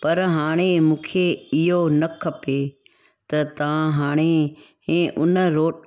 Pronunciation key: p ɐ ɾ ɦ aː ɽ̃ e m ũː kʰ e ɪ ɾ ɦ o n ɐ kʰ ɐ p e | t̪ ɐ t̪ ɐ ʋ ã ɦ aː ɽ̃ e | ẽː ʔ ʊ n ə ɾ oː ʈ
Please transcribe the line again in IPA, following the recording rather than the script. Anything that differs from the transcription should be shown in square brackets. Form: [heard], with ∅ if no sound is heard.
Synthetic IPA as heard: p ɐ ɾ ɦ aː ɽ̃ e m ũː kʰ e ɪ [∅] ɦ o n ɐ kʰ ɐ p e | t̪ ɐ t̪ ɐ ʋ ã ɦ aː ɽ̃ e | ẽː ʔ ʊ n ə ɾ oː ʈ